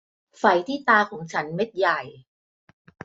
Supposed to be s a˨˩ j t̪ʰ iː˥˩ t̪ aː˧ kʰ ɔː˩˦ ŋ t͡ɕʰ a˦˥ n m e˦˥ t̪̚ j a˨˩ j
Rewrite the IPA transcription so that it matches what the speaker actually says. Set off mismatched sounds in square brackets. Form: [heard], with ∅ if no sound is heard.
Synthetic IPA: [f] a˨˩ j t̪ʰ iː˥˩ t̪ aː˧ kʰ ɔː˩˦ ŋ t͡ɕʰ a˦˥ n m e˦˥ t̪̚ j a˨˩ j